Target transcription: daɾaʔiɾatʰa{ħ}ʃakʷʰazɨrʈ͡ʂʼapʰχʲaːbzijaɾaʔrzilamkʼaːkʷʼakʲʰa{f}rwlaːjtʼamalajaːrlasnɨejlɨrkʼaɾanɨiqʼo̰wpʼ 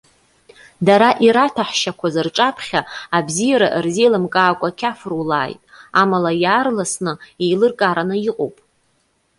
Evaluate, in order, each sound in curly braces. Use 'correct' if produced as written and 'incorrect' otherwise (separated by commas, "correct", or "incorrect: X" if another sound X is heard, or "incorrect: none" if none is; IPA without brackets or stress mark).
correct, correct